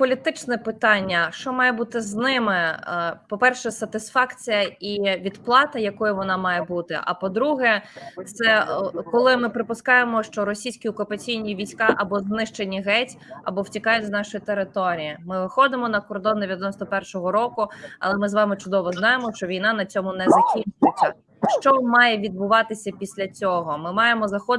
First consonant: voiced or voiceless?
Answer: voiceless